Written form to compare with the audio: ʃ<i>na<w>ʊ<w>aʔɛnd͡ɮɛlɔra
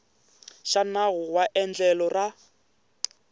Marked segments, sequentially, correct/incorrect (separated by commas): incorrect, incorrect, correct